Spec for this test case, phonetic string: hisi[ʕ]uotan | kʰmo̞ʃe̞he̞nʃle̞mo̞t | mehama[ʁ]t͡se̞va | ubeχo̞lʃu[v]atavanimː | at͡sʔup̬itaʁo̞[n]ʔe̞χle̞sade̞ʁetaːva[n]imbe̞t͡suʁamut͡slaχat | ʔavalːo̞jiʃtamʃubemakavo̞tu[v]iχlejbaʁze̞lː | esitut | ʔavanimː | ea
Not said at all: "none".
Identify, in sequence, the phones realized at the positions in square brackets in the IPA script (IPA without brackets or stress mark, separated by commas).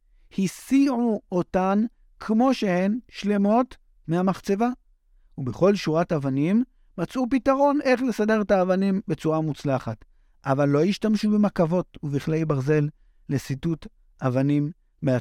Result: ʕ, χ, ʁ, n, n, v